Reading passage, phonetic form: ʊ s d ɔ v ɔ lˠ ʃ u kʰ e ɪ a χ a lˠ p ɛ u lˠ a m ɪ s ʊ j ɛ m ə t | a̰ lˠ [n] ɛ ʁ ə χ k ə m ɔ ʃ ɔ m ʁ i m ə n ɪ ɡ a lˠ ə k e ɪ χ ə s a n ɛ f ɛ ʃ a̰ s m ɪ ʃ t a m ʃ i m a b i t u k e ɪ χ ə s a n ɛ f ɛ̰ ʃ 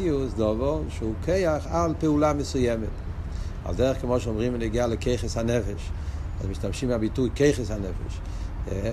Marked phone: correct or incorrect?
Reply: incorrect